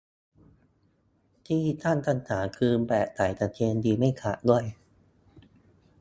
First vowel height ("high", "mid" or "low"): high